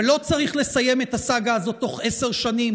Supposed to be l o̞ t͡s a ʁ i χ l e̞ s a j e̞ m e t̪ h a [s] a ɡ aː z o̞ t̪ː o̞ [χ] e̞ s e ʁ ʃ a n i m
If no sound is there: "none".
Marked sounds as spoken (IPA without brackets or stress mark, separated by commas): s, χ